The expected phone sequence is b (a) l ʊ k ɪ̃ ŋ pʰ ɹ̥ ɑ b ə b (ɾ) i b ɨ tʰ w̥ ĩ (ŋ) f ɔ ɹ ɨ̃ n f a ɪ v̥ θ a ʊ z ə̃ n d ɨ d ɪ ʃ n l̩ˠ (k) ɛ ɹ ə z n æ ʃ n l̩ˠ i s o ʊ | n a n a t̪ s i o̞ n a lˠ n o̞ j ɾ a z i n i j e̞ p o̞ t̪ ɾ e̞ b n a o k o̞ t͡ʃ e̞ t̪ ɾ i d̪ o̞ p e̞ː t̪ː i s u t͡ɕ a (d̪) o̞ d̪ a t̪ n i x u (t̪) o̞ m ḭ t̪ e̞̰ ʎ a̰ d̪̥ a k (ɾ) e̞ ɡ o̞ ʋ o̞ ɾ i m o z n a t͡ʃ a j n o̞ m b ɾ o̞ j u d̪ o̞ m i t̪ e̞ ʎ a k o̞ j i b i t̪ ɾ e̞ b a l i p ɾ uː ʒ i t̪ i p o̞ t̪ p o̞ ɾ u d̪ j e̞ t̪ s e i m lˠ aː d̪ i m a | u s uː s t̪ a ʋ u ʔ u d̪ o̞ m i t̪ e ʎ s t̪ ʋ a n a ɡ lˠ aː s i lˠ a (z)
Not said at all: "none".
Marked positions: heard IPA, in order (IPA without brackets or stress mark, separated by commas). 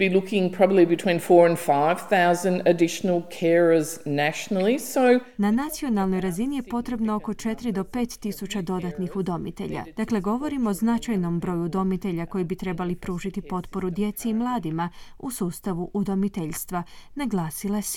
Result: i, l, n, kʰ, d̪, d̪, l, s